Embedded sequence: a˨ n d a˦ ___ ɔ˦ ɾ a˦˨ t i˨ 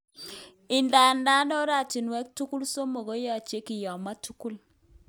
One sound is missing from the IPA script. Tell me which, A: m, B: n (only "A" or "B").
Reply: B